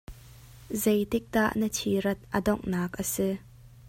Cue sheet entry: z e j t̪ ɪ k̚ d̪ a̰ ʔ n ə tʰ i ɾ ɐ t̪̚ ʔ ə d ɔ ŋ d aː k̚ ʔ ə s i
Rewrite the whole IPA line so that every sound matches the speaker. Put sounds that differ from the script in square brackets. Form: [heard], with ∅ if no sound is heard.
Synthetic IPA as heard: z e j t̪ ɪ k̚ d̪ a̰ ʔ n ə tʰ i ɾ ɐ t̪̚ ʔ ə d ɔ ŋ [n] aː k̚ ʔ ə s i